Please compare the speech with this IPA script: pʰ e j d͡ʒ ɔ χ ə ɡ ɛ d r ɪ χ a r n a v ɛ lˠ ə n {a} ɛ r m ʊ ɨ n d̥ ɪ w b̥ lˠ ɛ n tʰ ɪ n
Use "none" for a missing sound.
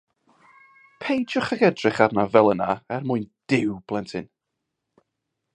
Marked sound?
a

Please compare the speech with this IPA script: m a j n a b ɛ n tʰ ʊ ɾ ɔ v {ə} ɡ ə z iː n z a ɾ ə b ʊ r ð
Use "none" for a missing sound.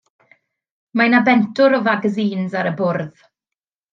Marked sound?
a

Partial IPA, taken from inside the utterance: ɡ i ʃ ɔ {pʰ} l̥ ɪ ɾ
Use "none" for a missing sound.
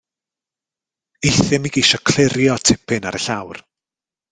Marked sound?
kʰ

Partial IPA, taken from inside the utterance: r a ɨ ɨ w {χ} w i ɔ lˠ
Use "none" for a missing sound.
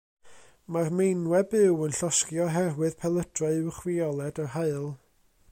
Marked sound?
χ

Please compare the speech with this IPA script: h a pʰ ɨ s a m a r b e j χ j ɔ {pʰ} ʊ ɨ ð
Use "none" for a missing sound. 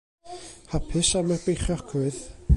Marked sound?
kʰ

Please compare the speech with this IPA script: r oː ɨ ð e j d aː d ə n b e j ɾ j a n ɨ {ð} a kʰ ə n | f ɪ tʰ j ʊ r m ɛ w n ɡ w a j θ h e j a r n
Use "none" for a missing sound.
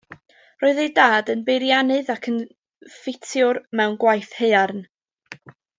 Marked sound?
ð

